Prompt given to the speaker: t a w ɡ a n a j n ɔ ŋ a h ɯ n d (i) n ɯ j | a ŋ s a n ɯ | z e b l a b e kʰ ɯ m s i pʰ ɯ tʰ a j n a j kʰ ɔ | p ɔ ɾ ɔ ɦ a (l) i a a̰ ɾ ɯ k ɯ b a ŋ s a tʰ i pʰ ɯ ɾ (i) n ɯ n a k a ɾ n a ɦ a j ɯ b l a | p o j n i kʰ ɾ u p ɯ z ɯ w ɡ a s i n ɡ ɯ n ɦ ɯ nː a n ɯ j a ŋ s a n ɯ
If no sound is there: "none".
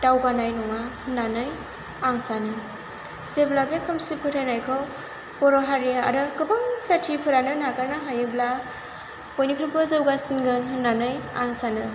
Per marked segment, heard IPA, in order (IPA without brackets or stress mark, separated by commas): a, ɾ, a